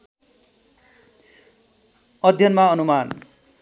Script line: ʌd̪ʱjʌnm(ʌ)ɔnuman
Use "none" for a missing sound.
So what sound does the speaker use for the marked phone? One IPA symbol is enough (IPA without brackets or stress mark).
a